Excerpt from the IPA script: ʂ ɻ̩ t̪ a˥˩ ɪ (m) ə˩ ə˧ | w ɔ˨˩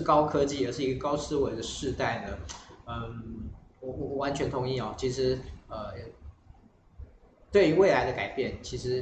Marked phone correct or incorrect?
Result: incorrect